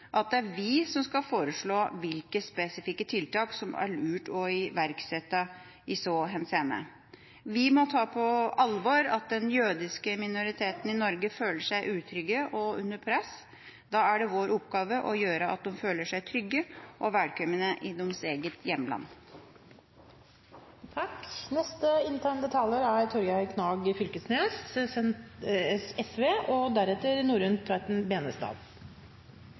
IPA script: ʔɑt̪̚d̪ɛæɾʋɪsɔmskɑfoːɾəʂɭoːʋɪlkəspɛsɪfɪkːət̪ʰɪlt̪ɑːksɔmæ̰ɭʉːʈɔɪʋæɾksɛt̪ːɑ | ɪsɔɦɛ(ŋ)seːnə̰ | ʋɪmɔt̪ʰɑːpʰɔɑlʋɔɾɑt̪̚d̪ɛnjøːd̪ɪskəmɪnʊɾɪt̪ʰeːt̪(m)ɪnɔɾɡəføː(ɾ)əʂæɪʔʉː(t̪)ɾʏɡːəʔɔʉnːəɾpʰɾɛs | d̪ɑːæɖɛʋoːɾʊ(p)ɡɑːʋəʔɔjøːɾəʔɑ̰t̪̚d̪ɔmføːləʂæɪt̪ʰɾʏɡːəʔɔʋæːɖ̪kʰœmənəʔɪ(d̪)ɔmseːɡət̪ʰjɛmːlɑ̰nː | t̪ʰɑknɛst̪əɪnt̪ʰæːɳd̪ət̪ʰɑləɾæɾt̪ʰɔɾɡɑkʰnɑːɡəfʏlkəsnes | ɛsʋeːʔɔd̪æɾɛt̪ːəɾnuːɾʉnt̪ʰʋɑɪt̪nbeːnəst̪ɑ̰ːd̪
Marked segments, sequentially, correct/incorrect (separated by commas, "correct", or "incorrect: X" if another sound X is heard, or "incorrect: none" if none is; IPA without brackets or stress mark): incorrect: n, incorrect: n, incorrect: l, incorrect: t̪ʰ, correct, correct